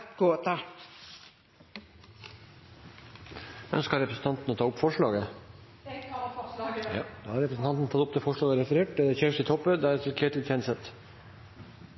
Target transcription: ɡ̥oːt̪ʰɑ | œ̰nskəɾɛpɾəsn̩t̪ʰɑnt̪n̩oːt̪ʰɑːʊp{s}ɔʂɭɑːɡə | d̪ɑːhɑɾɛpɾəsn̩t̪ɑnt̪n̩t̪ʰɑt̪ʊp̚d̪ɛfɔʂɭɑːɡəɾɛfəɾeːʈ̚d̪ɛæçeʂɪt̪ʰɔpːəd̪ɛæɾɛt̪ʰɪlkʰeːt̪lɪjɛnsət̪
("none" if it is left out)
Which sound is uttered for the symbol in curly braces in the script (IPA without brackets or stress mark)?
f